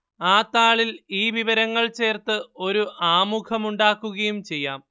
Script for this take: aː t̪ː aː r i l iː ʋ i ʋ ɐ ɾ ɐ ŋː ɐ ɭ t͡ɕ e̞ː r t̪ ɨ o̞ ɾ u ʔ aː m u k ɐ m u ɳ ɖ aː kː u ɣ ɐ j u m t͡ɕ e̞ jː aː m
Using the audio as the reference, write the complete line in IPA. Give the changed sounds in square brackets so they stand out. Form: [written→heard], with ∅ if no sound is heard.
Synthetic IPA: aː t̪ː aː [r→ɭ] i l iː ʋ i ʋ ɐ ɾ ɐ ŋː ɐ ɭ t͡ɕ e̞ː r t̪ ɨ o̞ ɾ u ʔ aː m u [k→kʰ] ɐ m u ɳ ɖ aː kː u ɣ ɐ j u m t͡ɕ e̞ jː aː m